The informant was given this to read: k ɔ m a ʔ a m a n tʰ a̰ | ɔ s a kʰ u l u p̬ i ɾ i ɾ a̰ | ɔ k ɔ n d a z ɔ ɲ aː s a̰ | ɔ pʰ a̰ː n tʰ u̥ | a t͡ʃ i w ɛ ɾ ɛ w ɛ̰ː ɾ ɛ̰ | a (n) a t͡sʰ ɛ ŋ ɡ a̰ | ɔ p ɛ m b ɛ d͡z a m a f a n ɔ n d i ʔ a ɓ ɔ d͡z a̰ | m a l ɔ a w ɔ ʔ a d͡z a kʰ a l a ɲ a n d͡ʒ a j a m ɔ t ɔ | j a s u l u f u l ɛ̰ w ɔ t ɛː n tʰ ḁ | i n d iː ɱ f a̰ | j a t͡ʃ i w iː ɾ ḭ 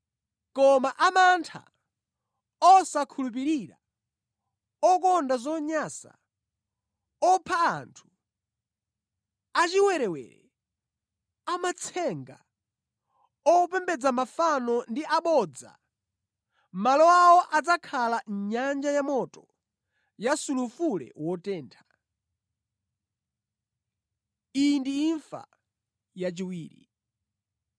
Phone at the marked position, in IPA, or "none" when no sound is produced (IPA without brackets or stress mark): m